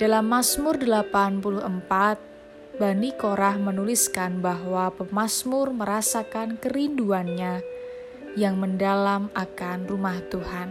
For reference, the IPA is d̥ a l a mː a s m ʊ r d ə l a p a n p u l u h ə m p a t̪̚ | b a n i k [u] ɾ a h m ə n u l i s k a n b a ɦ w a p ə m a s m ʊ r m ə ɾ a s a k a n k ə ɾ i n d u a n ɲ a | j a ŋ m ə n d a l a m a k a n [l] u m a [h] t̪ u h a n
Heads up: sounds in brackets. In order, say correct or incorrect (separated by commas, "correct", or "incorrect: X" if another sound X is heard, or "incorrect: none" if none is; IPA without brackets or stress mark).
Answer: incorrect: o, incorrect: r, correct